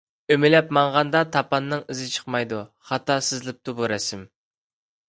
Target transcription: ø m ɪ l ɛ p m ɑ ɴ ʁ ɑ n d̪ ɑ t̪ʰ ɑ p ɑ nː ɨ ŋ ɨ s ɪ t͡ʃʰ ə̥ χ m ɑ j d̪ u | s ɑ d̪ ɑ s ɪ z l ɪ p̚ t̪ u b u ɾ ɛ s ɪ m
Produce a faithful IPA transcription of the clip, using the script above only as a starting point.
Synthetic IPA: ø m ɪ l ɛ p m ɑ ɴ ʁ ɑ n d̪ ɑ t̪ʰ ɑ p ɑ nː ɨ ŋ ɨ z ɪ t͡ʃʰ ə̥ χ m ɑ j d̪ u | χ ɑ t̪ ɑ s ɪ z l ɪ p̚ t̪ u b u ɾ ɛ s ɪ m